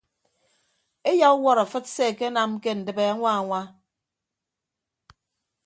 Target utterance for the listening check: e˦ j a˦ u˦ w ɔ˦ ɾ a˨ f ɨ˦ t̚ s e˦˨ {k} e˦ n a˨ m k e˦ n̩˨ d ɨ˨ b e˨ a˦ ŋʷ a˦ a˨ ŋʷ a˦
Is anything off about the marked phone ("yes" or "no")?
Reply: no